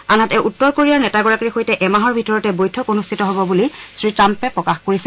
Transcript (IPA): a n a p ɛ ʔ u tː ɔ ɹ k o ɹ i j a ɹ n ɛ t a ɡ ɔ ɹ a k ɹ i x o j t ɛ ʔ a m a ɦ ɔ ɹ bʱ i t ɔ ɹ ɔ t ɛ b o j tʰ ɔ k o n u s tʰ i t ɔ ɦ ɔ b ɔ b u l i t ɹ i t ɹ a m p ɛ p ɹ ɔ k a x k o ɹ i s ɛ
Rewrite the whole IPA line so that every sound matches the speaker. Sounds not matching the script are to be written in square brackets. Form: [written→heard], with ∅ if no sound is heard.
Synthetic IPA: a n a [p→t] ɛ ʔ u tː ɔ ɹ k o ɹ i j a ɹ n ɛ t a ɡ ɔ ɹ a k ɹ i x o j t ɛ ʔ [a→ɛ] m a ɦ ɔ ɹ bʱ i t ɔ ɹ ɔ t ɛ b o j tʰ ɔ k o n u s tʰ i t ɔ ɦ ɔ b ɔ b u l i [t→s] ɹ i t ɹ a m p ɛ p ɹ ɔ k a x k o ɹ i s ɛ